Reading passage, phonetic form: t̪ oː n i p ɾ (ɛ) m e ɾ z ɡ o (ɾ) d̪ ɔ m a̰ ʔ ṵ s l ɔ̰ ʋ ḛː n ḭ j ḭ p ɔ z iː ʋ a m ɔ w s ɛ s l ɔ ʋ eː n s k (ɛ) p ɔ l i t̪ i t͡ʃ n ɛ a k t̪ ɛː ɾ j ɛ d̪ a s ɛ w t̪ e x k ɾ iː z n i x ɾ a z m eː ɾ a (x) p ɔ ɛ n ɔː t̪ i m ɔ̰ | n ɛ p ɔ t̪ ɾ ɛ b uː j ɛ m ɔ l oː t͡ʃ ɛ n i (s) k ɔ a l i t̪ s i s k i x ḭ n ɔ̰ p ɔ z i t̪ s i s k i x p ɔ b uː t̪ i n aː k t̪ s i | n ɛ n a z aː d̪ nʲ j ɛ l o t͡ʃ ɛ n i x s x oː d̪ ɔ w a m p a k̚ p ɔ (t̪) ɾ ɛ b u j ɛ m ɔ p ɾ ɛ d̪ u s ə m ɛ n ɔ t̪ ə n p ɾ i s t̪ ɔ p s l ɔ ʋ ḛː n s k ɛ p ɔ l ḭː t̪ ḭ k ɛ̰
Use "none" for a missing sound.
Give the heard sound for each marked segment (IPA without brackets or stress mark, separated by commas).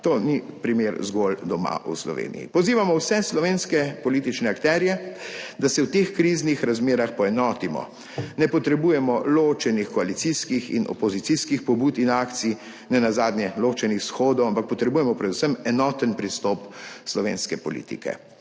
i, l, ɛ, x, x, t̪